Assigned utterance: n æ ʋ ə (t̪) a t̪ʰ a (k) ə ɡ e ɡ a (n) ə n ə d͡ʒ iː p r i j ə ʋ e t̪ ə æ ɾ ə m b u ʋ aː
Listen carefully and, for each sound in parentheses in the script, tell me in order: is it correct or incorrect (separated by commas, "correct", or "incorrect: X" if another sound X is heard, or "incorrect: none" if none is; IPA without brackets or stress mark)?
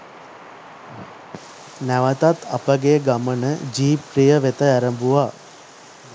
correct, incorrect: p, incorrect: m